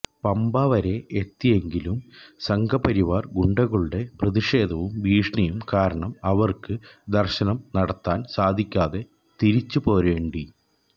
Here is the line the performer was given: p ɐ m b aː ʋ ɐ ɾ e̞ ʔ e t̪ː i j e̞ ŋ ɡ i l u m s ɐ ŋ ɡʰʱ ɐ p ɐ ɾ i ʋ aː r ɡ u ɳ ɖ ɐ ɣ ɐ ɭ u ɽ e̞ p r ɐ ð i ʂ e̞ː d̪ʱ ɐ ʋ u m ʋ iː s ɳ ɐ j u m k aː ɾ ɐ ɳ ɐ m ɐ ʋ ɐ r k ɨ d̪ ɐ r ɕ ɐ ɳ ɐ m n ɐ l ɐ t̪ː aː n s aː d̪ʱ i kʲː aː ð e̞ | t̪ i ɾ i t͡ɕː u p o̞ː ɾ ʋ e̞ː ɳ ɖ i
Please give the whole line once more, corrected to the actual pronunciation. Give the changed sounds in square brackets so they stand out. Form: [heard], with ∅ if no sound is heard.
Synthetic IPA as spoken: p ɐ m b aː ʋ ɐ ɾ e̞ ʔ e t̪ː i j e̞ ŋ ɡ i l u m s ɐ ŋ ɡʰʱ ɐ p ɐ ɾ i ʋ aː r ɡ u ɳ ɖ ɐ ɣ ɐ ɭ u ɽ e̞ p r ɐ ð i ʂ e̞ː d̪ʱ ɐ ʋ u m ʋ iː [ʂ] ɳ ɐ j u m k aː ɾ ɐ ɳ ɐ m ɐ ʋ ɐ r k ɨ d̪ ɐ r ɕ ɐ [n] ɐ m n ɐ [ɽ] ɐ t̪ː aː n s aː d̪ʱ i kʲː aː ð e̞ | t̪ i ɾ i t͡ɕː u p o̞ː ɾ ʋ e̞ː ɳ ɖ i